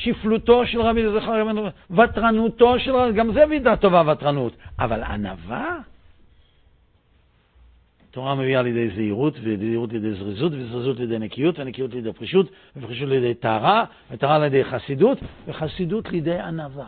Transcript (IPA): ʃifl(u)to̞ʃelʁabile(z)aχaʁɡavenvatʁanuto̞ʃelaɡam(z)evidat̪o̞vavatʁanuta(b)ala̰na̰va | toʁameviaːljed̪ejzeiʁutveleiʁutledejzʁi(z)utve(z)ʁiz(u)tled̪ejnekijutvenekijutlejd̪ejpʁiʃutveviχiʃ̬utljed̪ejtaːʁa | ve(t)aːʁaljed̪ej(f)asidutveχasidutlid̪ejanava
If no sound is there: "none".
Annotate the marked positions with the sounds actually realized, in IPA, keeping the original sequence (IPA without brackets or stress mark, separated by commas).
u, z, z, v, z, z, u, t, χ